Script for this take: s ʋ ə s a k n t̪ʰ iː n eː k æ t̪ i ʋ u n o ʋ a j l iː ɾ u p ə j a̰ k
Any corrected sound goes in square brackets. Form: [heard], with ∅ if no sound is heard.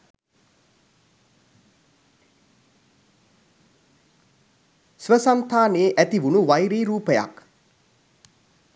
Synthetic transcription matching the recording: s ʋ ə s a [∅] n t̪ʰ [aː] n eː [ʔ] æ t̪ i ʋ u n [u] ʋ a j [ɾ] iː ɾ [uː] p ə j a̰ k